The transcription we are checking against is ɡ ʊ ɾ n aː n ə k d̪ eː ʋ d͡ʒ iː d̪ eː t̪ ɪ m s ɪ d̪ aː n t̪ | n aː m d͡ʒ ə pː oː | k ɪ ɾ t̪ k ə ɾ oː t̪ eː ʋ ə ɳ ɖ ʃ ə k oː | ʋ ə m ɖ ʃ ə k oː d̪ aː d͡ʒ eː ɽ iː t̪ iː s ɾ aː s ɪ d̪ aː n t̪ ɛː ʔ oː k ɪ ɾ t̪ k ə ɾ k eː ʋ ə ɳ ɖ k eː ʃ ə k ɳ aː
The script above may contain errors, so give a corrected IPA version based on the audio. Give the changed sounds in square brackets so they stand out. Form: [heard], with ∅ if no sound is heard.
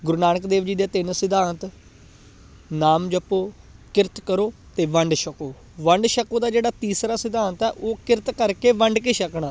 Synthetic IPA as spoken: ɡ ʊ ɾ n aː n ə k d̪ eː ʋ d͡ʒ iː d̪ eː t̪ ɪ [n] s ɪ d̪ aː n t̪ | n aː m d͡ʒ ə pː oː | k ɪ ɾ t̪ k ə ɾ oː t̪ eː ʋ ə ɳ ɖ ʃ ə k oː | ʋ ə [ɳ] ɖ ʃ ə k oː d̪ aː d͡ʒ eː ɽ [aː] t̪ iː s ɾ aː s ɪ d̪ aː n t̪ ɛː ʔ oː k ɪ ɾ t̪ k ə ɾ k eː ʋ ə ɳ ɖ k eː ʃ ə k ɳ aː